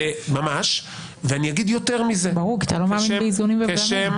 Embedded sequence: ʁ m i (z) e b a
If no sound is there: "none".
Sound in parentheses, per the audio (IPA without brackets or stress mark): z